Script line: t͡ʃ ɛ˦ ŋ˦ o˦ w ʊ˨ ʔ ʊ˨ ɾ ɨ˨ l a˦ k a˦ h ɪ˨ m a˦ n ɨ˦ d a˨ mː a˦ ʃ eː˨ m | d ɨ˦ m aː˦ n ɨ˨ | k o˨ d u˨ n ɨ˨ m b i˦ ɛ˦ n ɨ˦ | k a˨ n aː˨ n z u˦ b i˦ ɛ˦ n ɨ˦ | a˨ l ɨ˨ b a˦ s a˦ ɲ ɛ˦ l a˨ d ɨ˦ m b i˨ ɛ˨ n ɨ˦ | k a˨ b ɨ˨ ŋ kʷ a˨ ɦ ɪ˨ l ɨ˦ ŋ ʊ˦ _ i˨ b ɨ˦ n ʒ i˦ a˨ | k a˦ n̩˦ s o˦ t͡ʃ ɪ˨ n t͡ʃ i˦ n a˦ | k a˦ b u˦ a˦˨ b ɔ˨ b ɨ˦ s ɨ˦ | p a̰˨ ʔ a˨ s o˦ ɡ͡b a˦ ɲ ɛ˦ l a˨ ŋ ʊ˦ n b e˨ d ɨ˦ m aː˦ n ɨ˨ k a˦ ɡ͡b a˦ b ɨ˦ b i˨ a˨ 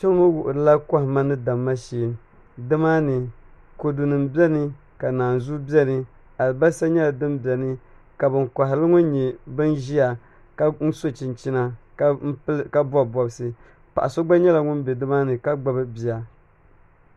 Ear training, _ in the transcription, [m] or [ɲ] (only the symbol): ɲ